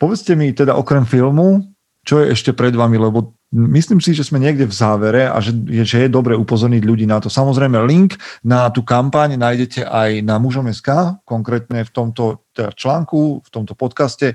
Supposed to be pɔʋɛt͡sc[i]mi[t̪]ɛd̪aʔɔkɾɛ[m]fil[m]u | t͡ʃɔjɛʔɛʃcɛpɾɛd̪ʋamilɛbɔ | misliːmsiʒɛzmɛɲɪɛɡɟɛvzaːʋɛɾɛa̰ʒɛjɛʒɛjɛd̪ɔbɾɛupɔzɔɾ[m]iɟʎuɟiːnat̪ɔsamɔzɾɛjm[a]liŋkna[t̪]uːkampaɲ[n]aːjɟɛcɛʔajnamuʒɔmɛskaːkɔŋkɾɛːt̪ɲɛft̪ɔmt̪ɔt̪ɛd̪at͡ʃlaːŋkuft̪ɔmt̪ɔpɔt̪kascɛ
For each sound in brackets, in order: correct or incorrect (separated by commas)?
incorrect, correct, correct, correct, incorrect, incorrect, correct, correct